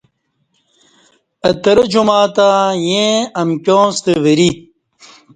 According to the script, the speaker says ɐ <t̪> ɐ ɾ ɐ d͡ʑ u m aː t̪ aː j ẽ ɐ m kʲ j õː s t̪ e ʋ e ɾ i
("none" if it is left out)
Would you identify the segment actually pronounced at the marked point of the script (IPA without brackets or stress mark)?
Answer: t̪